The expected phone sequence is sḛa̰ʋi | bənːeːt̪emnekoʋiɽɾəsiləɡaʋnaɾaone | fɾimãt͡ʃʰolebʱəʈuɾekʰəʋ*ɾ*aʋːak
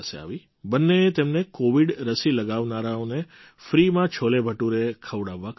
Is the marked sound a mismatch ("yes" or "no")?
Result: yes